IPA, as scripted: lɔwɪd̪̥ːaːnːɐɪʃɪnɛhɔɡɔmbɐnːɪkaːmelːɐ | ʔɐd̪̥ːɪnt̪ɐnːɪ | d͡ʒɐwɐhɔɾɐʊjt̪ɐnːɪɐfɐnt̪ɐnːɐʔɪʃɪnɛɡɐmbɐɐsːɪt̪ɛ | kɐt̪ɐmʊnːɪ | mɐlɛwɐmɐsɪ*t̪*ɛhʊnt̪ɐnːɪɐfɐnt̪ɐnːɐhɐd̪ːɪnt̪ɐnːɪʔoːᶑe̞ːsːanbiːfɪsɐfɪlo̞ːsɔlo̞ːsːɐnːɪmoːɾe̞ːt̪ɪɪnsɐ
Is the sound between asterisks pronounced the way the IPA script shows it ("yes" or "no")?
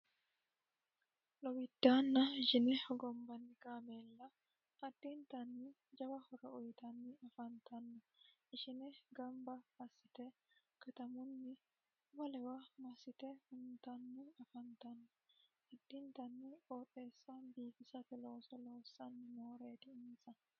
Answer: yes